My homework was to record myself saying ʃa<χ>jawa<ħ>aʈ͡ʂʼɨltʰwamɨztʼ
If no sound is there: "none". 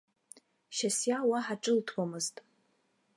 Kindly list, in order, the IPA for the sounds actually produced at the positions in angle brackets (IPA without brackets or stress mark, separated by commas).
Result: s, ħ